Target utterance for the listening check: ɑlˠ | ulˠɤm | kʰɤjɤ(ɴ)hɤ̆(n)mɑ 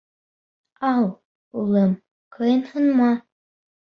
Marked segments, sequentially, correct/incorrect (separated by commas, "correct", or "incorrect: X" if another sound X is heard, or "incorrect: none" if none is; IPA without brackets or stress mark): incorrect: n, correct